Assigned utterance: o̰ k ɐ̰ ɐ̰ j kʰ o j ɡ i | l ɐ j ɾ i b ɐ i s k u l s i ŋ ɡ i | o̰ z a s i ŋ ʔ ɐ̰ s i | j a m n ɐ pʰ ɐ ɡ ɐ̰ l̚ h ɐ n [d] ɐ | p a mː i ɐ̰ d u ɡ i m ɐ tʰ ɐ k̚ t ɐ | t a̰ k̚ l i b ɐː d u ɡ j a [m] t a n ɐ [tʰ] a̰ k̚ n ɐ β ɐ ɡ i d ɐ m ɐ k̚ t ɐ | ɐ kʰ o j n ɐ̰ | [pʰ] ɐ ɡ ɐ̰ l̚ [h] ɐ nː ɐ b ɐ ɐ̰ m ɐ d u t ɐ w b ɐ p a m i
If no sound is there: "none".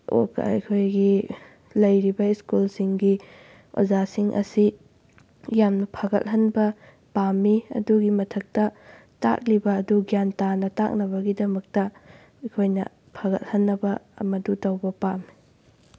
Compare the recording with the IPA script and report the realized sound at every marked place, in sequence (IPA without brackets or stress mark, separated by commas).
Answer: b, n, t, pʰ, h